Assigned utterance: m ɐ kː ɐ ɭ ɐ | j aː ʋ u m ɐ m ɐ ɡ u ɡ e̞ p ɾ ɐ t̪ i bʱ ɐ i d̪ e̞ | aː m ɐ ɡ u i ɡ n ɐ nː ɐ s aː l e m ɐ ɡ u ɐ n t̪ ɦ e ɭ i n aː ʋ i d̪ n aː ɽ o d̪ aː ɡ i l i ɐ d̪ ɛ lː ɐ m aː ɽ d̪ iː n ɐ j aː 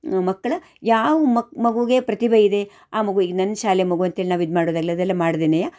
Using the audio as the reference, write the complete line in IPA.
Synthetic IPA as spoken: m ɐ kː ɐ ɭ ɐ | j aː ʋ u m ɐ m ɐ ɡ u ɡ e̞ p ɾ ɐ t̪ i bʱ ɐ i d̪ e̞ | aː m ɐ ɡ u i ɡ n ɐ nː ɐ ʃ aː l e m ɐ ɡ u ɐ n t̪ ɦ e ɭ i n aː ʋ i d̪ m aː ɽ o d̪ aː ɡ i l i ɐ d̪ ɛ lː ɐ m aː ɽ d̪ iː n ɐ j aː